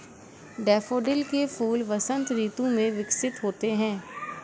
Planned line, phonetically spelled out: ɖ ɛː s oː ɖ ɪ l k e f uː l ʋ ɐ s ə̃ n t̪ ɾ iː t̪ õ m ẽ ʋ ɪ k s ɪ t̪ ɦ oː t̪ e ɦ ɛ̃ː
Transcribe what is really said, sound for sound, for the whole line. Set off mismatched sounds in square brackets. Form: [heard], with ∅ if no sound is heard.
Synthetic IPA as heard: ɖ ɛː [f] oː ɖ ɪ l k e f uː l ʋ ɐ s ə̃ n t̪ ɾ iː t̪ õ m ẽ ʋ ɪ k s ɪ t̪ ɦ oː t̪ e ɦ ɛ̃ː